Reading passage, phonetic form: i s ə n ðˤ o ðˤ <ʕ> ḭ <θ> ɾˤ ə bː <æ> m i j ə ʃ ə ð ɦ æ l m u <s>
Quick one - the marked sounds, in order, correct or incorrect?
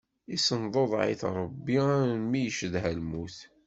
correct, correct, incorrect: i, incorrect: θ

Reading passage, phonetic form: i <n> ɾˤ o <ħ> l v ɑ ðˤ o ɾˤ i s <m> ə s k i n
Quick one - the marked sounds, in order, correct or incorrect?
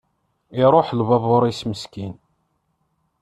incorrect: none, correct, correct

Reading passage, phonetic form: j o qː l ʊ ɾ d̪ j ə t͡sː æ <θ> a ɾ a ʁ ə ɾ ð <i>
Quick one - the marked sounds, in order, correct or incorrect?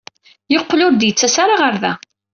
incorrect: s, incorrect: æ

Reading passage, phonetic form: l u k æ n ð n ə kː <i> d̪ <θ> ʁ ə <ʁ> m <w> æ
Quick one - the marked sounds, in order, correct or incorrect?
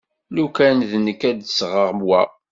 incorrect: æ, incorrect: s, correct, correct

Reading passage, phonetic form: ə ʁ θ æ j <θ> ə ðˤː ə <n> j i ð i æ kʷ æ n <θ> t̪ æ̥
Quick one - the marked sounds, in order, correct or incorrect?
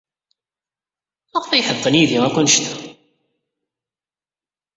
incorrect: ħ, correct, incorrect: ʃ

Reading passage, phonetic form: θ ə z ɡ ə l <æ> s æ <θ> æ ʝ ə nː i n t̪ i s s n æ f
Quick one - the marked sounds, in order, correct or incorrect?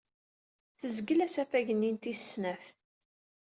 correct, incorrect: f

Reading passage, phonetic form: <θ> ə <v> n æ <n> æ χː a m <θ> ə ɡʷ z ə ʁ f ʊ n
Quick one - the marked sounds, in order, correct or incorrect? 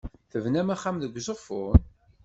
correct, correct, incorrect: m, incorrect: ð

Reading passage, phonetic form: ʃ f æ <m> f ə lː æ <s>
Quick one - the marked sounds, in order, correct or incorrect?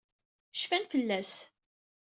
incorrect: n, correct

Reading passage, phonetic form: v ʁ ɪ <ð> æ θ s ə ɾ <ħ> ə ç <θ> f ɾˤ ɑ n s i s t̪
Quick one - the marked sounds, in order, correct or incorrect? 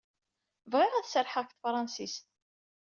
incorrect: ʁ, correct, correct

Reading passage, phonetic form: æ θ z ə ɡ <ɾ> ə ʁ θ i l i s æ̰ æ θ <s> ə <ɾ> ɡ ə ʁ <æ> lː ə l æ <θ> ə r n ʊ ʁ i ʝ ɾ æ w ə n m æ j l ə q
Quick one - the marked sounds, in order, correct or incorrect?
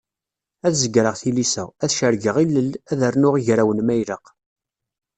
correct, incorrect: ʃ, correct, incorrect: i, incorrect: ð

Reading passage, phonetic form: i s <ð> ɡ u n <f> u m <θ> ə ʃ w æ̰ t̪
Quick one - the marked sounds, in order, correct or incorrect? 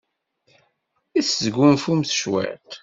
incorrect: z, correct, correct

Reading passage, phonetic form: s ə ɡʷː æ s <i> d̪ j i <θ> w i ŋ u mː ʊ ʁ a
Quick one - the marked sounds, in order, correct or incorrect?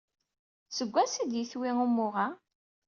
correct, correct

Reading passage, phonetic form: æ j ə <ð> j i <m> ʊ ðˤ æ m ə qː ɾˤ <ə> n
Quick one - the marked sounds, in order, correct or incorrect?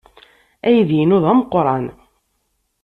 correct, incorrect: n, incorrect: ɑ

